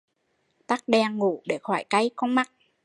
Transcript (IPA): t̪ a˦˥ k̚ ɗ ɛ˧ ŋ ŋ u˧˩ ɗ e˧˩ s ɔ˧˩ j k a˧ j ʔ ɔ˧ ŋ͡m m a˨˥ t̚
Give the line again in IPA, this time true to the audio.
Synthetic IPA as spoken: t̪ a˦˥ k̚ ɗ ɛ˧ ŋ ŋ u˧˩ ɗ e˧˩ x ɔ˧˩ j k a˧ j k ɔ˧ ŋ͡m m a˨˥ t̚